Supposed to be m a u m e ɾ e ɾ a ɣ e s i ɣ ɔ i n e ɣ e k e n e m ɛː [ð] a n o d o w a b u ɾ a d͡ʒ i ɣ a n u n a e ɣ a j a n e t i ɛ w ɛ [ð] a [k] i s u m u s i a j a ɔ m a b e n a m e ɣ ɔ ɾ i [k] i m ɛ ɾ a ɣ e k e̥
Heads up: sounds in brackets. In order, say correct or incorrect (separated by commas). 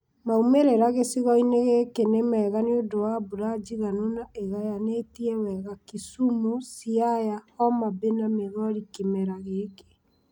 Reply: incorrect, incorrect, correct, correct